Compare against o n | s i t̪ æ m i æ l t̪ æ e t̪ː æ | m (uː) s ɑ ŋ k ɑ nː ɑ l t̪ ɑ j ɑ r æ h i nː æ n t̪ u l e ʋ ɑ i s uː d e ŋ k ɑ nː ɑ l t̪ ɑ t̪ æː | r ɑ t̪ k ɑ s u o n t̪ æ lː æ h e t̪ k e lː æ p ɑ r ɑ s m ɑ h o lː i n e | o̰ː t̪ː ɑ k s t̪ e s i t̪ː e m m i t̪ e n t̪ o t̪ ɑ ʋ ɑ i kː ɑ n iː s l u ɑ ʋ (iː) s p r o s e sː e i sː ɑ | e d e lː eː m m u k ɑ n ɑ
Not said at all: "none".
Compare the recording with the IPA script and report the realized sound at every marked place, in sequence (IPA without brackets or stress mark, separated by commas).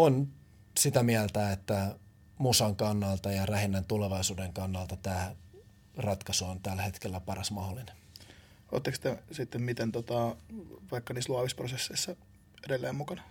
u, i